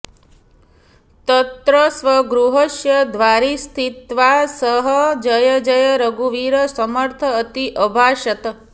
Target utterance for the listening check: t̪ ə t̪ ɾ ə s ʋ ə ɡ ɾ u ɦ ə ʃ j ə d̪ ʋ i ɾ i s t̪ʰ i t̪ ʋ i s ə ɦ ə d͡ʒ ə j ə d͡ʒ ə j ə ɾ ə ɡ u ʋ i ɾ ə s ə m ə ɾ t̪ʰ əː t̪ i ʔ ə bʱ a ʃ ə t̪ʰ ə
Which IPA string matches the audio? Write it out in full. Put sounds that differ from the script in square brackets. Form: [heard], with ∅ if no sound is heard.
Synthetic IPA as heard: t̪ ə t̪ ɾ ə s ʋ ə ɡ ɾ u ɦ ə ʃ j ə d̪ ʋ [a] ɾ i s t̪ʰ i t̪ ʋ [a] s ə ɦ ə d͡ʒ ə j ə d͡ʒ ə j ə ɾ ə ɡ u ʋ i ɾ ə s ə m ə ɾ t̪ʰ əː t̪ i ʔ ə bʱ a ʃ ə [t̪] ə